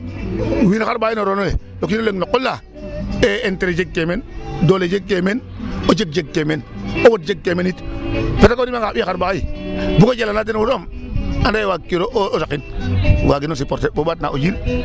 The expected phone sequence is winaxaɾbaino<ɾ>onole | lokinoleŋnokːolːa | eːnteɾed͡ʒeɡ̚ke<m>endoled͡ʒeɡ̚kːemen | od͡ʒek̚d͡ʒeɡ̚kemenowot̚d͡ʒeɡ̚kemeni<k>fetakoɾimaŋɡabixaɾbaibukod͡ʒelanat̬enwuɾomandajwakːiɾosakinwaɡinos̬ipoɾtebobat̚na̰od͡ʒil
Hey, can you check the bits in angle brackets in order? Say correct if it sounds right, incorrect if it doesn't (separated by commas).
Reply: correct, correct, incorrect